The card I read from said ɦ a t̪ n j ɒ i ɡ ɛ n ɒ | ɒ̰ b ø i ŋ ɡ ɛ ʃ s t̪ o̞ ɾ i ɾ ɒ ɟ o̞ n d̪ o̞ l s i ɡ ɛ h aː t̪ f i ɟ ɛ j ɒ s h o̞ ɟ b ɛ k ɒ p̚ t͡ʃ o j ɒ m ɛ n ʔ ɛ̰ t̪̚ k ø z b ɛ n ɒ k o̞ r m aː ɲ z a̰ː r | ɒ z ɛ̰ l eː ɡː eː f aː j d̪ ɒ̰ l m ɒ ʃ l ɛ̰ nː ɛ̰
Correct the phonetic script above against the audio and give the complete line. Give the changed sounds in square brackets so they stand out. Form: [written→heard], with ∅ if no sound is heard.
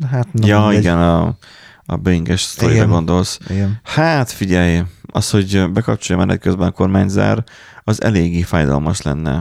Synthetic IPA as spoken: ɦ a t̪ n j ɒ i ɡ ɛ n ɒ | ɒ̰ b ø i ŋ ɡ ɛ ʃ s t̪ o̞ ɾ i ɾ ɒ [ɟ→ɡ] o̞ n d̪ o̞ l s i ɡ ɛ h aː t̪ f i ɟ ɛ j ɒ s h o̞ ɟ b ɛ k ɒ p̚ t͡ʃ o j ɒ m ɛ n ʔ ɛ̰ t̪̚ k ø z b ɛ n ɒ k o̞ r m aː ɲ z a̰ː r | ɒ z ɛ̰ l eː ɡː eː f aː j d̪ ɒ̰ l m ɒ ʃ l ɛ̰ nː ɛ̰